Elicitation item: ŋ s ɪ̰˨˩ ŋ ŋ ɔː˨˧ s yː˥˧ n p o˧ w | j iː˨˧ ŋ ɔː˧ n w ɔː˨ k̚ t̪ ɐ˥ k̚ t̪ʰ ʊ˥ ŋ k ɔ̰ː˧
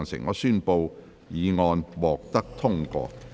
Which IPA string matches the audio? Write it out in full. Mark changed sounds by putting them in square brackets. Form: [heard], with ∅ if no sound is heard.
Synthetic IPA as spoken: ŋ s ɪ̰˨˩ ŋ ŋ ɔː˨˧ s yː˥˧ n p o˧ w | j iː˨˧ ŋ ɔː˧ n w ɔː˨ k̚ t̪ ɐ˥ k̚ t̪ʰ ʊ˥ ŋ k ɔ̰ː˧